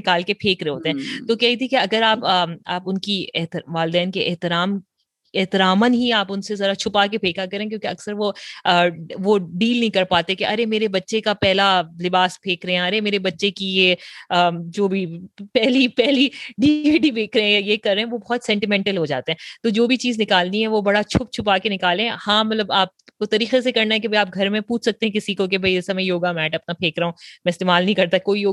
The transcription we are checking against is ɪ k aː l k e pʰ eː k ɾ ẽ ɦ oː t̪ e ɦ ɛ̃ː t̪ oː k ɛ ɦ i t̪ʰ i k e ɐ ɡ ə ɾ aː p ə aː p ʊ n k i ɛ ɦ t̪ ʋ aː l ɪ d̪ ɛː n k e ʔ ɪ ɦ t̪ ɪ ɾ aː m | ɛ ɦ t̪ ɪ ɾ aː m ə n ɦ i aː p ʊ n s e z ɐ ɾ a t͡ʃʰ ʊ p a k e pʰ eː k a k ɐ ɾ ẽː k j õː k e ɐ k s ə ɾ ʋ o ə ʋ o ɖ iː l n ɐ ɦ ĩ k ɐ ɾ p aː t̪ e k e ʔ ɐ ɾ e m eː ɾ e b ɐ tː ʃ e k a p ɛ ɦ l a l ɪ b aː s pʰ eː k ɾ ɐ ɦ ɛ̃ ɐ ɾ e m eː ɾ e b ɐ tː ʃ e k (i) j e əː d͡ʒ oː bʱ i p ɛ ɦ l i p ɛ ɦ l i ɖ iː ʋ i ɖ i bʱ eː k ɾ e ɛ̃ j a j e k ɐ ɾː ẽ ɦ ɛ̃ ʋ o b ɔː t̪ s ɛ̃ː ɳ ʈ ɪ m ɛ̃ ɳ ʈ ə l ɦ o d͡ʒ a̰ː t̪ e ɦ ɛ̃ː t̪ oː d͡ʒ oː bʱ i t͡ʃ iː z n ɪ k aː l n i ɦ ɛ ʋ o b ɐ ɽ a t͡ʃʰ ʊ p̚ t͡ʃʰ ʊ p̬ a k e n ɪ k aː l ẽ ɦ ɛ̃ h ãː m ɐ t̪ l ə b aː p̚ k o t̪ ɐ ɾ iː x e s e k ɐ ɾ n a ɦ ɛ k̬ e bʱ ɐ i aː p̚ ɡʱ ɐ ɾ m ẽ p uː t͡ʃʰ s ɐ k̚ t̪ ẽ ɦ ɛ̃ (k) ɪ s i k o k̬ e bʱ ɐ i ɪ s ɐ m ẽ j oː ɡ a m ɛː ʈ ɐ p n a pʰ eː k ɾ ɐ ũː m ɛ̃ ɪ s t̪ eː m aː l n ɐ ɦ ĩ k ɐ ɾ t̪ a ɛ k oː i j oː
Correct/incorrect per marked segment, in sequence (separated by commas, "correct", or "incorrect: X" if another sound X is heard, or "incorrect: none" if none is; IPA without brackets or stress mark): correct, correct